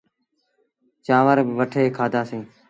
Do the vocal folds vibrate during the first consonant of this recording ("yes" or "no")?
no